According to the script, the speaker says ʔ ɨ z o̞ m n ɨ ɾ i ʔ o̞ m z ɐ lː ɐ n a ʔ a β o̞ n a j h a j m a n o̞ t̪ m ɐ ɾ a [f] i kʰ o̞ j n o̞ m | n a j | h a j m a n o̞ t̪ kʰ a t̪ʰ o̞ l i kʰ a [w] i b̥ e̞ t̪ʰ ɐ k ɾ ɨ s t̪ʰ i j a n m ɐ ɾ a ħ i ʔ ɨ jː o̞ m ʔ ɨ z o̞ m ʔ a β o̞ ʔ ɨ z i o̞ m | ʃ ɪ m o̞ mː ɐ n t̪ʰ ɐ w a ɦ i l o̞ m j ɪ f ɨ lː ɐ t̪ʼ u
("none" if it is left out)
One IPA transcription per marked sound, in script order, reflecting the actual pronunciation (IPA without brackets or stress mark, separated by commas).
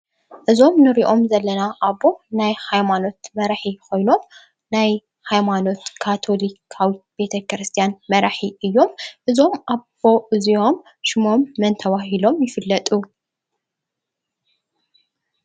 ħ, w